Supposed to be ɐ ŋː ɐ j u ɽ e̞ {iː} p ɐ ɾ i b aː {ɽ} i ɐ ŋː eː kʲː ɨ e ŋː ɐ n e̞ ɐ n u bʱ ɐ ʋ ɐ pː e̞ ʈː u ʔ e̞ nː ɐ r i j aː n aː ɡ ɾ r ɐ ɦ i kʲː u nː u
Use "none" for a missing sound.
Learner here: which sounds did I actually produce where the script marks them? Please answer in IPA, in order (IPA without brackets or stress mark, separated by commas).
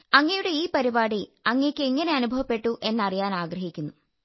iː, ɽ